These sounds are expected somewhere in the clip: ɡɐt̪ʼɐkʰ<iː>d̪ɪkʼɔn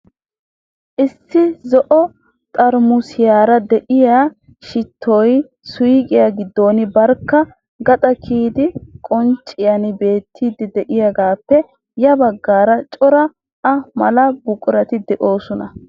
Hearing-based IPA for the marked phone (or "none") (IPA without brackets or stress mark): iː